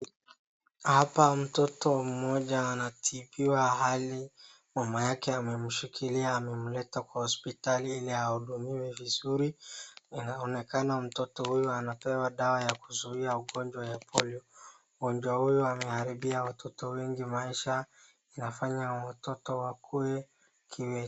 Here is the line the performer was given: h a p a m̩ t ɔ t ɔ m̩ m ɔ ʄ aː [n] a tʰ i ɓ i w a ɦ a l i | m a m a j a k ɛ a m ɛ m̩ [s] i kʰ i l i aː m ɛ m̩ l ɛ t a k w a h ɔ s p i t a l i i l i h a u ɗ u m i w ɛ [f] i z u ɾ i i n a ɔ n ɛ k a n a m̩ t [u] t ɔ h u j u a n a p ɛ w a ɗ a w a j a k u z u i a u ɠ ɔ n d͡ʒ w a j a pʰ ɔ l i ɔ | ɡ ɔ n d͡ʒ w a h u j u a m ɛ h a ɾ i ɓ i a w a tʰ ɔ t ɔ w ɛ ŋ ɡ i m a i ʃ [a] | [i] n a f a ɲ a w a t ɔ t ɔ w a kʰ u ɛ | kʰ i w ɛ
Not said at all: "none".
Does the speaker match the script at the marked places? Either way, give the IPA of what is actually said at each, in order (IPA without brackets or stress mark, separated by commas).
n, ʃ, v, ɔ, a, i